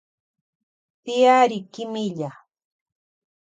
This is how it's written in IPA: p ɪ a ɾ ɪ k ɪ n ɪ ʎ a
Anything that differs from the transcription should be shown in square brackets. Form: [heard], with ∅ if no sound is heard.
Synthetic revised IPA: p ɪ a ɾ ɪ k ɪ [m] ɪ ʎ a